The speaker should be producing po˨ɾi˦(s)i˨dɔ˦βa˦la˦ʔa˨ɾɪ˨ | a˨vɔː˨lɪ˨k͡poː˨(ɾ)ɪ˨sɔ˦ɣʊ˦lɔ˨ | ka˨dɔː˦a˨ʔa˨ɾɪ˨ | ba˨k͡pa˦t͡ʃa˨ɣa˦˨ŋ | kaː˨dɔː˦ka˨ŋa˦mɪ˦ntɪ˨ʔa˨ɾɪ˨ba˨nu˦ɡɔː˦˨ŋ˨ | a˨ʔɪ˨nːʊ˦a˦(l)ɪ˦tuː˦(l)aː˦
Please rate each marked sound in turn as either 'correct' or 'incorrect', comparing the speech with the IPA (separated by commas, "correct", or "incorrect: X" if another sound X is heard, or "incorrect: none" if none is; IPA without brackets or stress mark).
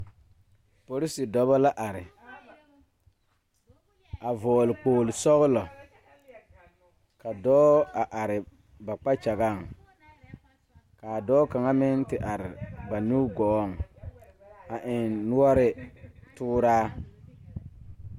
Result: correct, incorrect: l, incorrect: ɾ, incorrect: ɾ